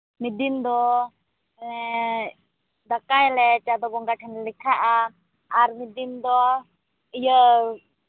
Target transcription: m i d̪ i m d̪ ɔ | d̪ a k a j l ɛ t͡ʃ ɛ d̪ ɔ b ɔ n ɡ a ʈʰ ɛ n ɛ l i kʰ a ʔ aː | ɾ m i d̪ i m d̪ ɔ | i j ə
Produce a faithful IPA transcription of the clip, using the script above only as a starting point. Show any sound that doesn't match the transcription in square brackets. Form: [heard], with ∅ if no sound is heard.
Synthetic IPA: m i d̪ i m d̪ ɔ | d̪ a k a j l ɛ t͡ʃ [a] d̪ ɔ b ɔ [ŋ] ɡ a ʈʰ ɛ n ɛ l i kʰ a ʔ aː | ɾ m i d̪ i m d̪ ɔ | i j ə